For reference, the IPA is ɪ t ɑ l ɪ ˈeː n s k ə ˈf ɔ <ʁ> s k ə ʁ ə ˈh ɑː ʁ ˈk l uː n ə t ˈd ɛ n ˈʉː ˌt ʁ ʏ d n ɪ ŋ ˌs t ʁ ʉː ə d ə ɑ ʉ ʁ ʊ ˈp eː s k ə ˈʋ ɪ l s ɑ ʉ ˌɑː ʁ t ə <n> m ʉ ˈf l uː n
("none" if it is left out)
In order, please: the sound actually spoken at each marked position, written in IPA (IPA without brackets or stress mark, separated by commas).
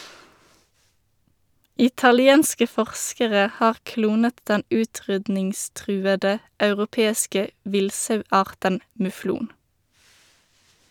ʁ, n